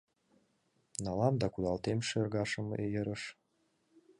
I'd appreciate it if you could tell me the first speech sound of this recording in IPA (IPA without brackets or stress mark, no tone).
n